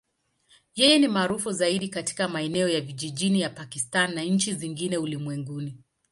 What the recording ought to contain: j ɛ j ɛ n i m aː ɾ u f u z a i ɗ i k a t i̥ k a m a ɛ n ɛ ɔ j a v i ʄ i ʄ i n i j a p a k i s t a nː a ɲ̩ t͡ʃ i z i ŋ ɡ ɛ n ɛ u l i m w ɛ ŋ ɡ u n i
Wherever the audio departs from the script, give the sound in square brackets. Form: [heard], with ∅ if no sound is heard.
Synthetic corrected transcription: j ɛ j ɛ n i m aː ɾ u f u z a i ɗ i k a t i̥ k a m a ɛ n ɛ ɔ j a v i ʄ i ʄ i n i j a p a k i s t a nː a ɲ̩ t͡ʃ i z i ŋ ɡ [i] n ɛ u l i m w ɛ ŋ ɡ u n i